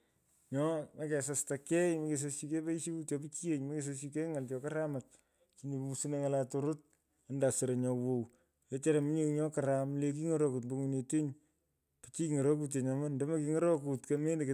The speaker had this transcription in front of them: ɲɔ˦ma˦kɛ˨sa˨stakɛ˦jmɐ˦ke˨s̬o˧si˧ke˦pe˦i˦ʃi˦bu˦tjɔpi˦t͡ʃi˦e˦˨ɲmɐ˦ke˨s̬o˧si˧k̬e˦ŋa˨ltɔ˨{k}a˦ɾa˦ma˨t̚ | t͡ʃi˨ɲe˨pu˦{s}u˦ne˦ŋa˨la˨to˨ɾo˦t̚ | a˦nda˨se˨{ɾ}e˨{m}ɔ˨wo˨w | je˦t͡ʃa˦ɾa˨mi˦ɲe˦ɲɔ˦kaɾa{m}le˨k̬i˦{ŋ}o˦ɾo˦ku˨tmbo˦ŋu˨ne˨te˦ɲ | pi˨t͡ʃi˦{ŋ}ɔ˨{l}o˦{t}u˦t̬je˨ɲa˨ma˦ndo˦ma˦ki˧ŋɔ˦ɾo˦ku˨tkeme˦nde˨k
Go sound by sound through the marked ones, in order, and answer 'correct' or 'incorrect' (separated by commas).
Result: correct, correct, correct, incorrect, correct, correct, correct, incorrect, incorrect